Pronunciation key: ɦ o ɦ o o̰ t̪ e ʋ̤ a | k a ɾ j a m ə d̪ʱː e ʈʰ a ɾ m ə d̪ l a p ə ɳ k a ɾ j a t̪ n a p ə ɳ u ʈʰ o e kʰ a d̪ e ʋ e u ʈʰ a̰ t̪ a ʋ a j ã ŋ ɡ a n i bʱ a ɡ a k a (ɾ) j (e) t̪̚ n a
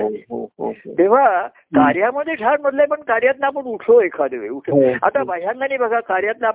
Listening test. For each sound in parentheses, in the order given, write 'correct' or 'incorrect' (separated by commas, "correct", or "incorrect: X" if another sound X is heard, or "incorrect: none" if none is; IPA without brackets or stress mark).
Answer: correct, incorrect: a